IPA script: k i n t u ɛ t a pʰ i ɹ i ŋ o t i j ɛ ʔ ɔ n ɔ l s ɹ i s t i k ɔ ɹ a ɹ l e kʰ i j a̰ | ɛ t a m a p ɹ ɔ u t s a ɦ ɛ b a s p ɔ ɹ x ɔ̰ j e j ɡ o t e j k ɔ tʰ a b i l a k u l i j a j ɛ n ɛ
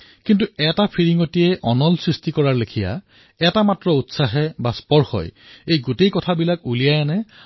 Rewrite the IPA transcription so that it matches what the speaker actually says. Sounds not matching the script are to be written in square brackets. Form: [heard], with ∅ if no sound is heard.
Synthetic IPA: k i n t u ɛ t a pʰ i ɹ i ŋ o t i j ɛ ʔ ɔ n ɔ l s ɹ i s t i k ɔ ɹ a ɹ l e kʰ i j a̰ | ɛ t a m a [t] ɹ ɔ u t s a ɦ ɛ b a s p ɔ ɹ x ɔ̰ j e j ɡ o t e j k ɔ tʰ a b i l a k u l i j a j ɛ n ɛ

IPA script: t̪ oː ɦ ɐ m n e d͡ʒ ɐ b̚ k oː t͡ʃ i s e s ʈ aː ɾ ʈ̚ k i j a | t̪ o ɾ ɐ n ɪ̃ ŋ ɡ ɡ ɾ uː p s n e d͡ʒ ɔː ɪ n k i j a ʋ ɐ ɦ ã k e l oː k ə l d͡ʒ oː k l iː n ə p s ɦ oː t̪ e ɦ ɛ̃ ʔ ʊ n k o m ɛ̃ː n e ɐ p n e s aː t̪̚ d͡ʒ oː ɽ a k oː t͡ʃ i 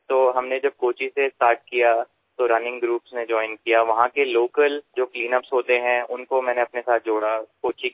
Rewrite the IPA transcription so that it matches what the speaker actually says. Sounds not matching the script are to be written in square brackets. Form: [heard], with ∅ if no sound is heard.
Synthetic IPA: t̪ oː ɦ ɐ m n e d͡ʒ ɐ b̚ k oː t͡ʃ i s e s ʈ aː ɾ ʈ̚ k i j a | t̪ o ɾ ɐ n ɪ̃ ŋ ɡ ɡ ɾ uː p s n e d͡ʒ ɔː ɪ n k i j a ʋ ɐ ɦ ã k e l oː k ə l d͡ʒ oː k l iː n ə p s ɦ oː t̪ e ɦ ɛ̃ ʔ ʊ n k o m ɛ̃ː n e ɐ p n e s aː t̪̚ d͡ʒ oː ɽ a k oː t͡ʃ i

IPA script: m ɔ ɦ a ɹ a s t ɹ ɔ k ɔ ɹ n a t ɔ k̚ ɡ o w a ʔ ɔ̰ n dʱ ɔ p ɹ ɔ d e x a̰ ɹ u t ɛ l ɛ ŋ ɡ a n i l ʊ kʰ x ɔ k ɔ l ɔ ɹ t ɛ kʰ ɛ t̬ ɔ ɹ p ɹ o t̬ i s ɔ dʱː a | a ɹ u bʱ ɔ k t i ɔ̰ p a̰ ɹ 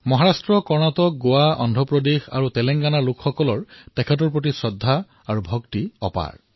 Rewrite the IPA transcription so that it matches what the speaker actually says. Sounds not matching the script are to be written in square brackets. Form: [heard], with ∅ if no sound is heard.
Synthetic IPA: m ɔ ɦ a ɹ a s t ɹ ɔ k ɔ ɹ n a t ɔ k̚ ɡ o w a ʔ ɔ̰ n dʱ ɔ p ɹ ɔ d e x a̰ ɹ u t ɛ l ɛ ŋ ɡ a n [a] l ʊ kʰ x ɔ k ɔ l ɔ ɹ t ɛ kʰ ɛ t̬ ɔ ɹ p ɹ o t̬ i s ɔ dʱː a | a ɹ u bʱ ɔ k t i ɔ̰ p a̰ ɹ

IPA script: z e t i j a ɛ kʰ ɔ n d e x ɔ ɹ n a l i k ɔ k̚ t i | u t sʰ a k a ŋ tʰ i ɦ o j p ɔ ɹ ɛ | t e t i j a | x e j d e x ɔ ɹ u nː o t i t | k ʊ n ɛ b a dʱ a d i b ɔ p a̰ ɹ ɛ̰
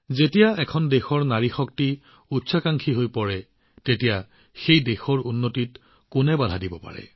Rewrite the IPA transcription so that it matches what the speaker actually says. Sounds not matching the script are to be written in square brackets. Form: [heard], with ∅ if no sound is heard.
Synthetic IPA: z e t i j a ɛ kʰ ɔ n d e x ɔ ɹ n a [ɹ] i [x] ɔ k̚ t i | u t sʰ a k a ŋ [kʰ] i ɦ o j p ɔ ɹ ɛ | t e t i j a | x e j d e x ɔ ɹ u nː o t i t | k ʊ n ɛ b a dʱ a d i b ɔ p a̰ ɹ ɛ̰

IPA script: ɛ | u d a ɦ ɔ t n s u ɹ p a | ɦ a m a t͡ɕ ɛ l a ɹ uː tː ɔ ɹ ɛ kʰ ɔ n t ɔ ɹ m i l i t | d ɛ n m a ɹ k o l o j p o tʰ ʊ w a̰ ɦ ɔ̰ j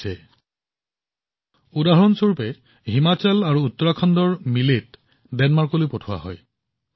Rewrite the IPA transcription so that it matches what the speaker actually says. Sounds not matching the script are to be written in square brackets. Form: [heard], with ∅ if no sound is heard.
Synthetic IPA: ɛ | u d a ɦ ɔ [∅] n s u ɹ p [ɛ] | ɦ [i] m a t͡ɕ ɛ l a ɹ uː tː ɔ ɹ [a] kʰ ɔ n [d] ɔ ɹ m i l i t | d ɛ n m a ɹ k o l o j p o tʰ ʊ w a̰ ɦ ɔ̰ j

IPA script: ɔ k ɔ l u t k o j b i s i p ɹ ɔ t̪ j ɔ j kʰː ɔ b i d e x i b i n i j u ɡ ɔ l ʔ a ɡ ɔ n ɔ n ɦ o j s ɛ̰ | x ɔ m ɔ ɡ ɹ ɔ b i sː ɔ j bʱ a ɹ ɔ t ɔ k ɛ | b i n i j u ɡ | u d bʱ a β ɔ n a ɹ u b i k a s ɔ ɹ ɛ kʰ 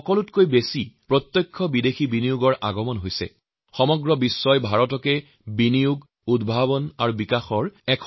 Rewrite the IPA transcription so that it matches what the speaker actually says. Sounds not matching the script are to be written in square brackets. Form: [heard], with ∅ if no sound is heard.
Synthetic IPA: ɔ k ɔ l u t k o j b [e] s i p ɹ ɔ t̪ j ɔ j kʰː ɔ b i d e x i b i n i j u ɡ ɔ [ɹ] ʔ a ɡ ɔ [m] ɔ n ɦ o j s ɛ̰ | x ɔ m ɔ ɡ ɹ ɔ b i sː ɔ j bʱ a ɹ ɔ t ɔ k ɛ | b i n i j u ɡ | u d bʱ a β ɔ n a ɹ u b i k a [x] ɔ ɹ ɛ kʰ

